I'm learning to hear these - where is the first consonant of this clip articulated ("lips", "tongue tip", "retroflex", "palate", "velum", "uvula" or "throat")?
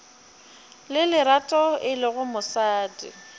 tongue tip